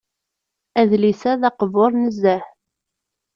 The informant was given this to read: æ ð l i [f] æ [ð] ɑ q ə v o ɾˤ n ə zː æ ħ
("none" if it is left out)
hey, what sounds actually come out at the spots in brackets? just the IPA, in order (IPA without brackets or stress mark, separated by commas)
s, ð